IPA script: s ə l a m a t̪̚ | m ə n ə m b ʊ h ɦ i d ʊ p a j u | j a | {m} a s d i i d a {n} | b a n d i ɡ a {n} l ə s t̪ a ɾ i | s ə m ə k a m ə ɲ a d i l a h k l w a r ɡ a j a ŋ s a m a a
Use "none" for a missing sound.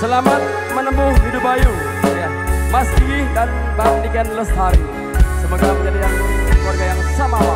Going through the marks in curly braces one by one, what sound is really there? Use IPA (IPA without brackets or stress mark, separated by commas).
m, n, n